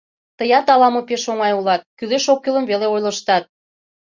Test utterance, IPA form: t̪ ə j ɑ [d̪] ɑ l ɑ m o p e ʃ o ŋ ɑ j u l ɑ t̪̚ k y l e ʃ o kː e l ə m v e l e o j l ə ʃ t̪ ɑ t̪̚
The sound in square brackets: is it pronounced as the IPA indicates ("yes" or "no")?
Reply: no